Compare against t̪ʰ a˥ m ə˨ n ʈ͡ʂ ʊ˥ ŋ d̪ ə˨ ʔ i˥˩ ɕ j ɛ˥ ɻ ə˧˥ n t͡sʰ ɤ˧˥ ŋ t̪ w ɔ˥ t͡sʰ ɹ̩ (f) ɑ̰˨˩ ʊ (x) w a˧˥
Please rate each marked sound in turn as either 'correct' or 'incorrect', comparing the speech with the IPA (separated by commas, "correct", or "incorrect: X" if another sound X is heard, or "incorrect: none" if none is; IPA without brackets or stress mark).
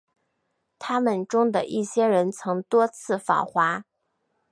correct, correct